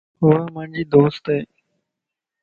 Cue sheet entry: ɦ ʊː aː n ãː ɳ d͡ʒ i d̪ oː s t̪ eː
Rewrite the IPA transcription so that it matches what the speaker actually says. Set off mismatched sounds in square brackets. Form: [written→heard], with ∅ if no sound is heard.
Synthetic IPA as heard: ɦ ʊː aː [n→m] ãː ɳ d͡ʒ [i→iː] d̪ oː s t̪ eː